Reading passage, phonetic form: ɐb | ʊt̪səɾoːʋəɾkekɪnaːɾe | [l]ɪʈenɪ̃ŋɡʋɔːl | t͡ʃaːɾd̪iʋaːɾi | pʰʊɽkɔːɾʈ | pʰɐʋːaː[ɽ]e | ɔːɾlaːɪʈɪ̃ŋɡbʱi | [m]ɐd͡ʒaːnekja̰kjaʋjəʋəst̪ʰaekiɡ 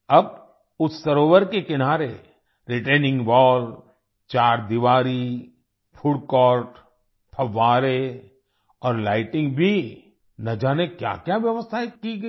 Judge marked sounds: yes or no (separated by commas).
no, no, no